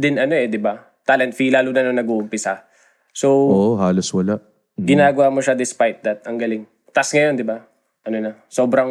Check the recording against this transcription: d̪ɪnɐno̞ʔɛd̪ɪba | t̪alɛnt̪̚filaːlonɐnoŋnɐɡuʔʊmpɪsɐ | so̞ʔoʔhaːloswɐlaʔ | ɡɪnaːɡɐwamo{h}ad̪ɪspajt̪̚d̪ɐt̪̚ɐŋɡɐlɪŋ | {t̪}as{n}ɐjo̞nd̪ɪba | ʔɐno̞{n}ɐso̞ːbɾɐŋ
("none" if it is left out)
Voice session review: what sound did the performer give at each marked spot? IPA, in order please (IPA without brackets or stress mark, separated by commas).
ʃ, t̪, ŋ, n